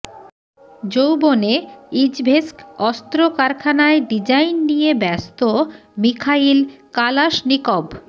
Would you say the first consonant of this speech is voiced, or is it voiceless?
voiced